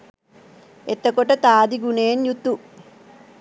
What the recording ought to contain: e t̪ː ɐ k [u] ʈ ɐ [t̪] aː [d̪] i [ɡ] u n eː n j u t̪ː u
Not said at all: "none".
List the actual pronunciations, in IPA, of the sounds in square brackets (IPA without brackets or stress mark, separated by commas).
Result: o, t̪, d̪, ɡ